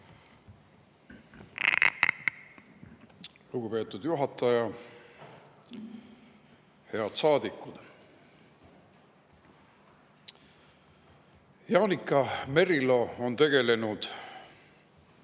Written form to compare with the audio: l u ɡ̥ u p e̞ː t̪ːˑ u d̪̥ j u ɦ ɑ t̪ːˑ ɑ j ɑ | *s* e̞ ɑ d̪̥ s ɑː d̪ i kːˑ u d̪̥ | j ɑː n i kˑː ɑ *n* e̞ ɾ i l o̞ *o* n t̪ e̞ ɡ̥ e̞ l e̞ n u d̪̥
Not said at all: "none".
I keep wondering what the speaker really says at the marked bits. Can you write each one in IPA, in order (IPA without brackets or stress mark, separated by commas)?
h, m, o